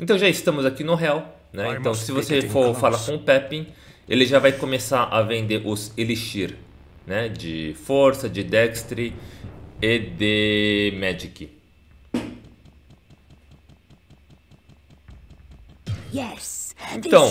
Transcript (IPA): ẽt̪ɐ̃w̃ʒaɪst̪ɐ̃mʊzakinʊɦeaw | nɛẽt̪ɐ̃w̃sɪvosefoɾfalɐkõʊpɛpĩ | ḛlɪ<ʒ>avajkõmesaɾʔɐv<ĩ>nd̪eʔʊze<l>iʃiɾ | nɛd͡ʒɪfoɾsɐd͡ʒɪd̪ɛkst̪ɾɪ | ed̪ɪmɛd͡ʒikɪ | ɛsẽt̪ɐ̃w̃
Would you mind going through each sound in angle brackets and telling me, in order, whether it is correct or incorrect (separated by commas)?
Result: correct, incorrect, correct